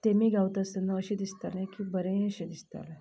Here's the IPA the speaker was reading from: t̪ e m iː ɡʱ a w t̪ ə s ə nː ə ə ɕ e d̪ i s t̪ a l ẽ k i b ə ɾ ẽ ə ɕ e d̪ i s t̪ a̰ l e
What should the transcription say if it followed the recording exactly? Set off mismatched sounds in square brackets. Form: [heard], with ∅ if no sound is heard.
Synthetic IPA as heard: t̪ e m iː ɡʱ a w t̪ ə s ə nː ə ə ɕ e d̪ i s t̪ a l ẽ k i b ə ɾ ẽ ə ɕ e d̪ i s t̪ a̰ l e